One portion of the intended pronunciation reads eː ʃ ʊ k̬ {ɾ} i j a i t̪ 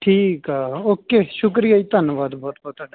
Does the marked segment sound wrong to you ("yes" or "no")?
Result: no